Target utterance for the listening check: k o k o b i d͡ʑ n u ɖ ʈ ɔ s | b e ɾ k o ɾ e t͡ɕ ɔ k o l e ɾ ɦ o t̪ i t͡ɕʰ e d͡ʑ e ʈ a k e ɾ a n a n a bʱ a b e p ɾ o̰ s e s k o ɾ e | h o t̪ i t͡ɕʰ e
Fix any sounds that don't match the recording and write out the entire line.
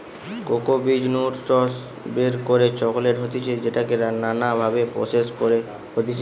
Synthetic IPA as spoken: k o k o b i d͡ʑ n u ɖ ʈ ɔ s | b e ɾ k o ɾ e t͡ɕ ɔ k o l e ɾ ɦ o t̪ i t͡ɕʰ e d͡ʑ e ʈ a k e ɾ a n a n a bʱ a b e p ɾ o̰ s e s k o ɾ e | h o t̪ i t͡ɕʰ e